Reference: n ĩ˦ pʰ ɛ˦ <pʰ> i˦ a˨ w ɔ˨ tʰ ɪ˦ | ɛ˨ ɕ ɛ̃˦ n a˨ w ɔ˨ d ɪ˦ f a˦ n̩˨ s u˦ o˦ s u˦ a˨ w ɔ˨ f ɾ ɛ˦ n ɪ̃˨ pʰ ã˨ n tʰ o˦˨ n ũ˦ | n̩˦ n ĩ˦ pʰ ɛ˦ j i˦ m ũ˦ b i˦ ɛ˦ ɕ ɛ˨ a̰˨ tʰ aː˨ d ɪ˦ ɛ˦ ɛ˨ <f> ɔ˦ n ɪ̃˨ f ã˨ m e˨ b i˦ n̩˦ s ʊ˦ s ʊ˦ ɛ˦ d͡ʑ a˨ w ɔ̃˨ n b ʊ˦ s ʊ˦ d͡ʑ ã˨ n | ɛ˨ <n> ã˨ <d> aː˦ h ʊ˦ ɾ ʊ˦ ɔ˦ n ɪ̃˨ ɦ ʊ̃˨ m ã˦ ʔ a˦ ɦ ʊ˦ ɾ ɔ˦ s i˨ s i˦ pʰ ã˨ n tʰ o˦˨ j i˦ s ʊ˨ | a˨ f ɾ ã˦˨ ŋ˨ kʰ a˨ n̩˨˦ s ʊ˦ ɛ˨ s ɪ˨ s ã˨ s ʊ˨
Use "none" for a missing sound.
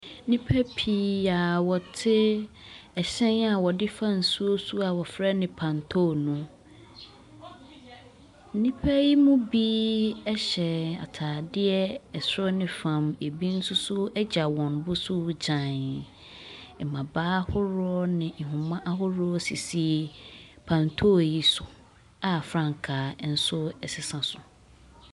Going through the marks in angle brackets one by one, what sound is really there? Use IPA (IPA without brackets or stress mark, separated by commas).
pʰ, s, m, b